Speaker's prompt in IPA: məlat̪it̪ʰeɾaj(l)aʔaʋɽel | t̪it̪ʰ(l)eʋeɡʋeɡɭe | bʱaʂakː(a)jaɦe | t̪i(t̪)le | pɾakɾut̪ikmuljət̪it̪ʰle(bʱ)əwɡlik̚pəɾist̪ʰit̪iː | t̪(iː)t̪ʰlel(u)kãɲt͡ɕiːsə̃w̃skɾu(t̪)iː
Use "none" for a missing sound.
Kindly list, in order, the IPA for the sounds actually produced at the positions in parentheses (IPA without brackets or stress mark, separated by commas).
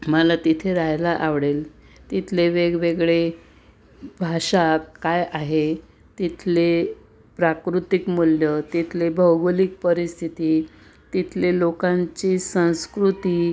l, l, a, t̪ʰ, bʱ, i, o, t̪